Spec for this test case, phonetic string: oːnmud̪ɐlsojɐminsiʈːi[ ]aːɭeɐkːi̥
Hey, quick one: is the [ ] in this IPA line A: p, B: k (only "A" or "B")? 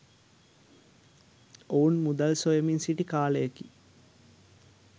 B